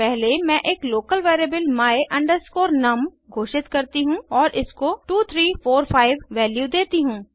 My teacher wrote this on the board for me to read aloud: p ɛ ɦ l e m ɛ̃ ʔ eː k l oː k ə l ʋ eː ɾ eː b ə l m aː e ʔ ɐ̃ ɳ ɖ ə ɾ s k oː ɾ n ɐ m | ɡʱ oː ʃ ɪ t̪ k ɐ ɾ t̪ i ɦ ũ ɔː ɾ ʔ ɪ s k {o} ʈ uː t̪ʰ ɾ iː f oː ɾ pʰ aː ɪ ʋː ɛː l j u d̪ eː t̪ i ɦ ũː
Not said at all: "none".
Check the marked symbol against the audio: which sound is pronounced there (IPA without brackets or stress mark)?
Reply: o